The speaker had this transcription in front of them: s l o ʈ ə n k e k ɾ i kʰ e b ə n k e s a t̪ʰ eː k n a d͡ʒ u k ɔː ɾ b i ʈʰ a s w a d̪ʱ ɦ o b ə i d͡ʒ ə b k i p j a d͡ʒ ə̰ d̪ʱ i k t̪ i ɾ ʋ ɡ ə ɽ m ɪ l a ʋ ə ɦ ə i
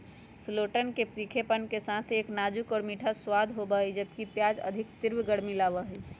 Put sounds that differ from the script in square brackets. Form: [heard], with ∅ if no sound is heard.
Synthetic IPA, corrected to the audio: s l o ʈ ə n k e [p] ɾ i kʰ e [p] ə n k e s a t̪ʰ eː k n a d͡ʒ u k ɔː ɾ [m] i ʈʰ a s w a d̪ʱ ɦ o b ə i d͡ʒ ə b k i p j a d͡ʒ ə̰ d̪ʱ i k t̪ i ɾ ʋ ɡ ə ɽ m [i] l a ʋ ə ɦ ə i